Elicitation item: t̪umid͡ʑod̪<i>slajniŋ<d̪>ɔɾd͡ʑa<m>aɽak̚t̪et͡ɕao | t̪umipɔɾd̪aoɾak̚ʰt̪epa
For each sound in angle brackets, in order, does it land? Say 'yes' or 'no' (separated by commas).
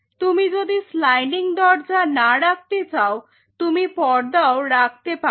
yes, yes, no